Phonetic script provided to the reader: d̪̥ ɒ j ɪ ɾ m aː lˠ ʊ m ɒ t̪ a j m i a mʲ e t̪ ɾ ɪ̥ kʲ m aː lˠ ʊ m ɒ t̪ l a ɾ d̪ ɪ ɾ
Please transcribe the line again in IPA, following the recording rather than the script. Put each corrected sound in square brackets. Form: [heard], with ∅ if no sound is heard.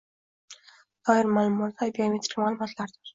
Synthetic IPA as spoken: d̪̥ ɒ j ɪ ɾ m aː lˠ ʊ m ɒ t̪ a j [b] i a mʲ e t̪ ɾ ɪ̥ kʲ m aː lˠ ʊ m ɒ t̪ l a ɾ d̪ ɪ ɾ